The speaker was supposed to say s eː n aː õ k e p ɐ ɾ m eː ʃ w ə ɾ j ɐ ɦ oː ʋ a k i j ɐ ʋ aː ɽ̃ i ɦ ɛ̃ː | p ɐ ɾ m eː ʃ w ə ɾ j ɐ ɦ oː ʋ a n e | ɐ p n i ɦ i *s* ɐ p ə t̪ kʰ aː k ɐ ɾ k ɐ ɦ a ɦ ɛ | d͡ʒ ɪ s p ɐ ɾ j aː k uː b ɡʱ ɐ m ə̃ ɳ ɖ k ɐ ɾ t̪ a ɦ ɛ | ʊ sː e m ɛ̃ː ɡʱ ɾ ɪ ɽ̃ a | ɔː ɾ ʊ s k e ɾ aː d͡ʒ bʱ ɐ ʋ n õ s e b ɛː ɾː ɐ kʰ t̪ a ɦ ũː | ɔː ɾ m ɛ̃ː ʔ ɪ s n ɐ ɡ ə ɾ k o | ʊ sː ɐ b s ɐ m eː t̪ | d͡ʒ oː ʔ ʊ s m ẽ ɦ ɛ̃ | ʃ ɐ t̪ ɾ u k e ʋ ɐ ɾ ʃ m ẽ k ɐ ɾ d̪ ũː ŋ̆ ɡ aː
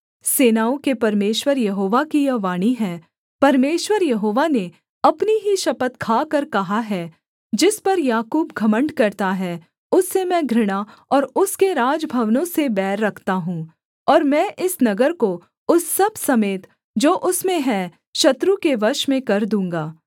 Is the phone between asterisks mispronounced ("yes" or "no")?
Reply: yes